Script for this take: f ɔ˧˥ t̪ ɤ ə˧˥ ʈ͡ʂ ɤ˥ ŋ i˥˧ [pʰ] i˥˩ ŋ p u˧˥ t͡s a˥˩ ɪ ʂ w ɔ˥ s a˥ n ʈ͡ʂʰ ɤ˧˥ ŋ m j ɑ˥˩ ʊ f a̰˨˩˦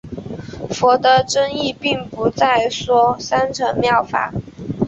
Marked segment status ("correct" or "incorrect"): incorrect